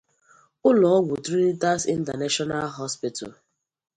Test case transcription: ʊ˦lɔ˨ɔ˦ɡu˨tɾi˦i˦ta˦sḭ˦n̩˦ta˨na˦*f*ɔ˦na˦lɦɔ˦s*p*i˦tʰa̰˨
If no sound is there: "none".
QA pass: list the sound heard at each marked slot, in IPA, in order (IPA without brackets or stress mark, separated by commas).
ʃ, p